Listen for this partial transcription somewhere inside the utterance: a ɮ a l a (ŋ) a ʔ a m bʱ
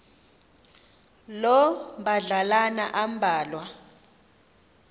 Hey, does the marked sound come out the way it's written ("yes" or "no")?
no